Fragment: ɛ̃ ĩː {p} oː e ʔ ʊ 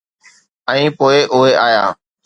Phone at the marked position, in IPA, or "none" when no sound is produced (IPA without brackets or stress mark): p